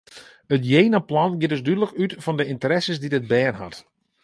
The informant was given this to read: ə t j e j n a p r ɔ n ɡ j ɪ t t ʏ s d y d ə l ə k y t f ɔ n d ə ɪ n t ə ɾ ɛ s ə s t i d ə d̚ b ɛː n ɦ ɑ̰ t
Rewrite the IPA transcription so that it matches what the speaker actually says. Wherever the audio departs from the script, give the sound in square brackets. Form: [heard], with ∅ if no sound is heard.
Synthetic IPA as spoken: ə t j e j n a p [l] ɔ n ɡ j ɪ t [d] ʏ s d y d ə l ə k y t f ɔ n d ə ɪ n t ə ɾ ɛ s ə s [d] i d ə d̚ b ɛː n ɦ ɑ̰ t